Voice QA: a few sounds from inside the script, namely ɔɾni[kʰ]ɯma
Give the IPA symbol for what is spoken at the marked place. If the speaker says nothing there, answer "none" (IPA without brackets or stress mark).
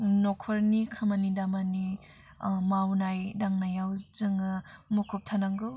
kʰ